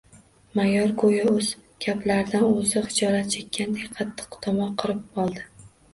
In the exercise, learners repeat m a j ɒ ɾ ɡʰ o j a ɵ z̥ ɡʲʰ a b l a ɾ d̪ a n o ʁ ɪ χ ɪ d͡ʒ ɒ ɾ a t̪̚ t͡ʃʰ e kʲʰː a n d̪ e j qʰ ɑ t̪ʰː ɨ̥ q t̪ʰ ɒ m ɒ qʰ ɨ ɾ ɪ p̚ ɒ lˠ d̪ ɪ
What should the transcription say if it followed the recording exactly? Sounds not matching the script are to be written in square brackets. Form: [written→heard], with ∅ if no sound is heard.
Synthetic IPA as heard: m a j ɒ ɾ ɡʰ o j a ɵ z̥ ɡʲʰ a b l a ɾ d̪ a n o [ʁ→z] ɪ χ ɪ d͡ʒ ɒ ɾ a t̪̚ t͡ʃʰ e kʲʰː a n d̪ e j qʰ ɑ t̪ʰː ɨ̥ q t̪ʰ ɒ m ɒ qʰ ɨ ɾ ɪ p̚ ɒ lˠ d̪ ɪ